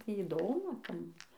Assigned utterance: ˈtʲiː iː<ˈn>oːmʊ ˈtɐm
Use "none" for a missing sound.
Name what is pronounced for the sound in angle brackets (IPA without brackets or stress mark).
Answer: d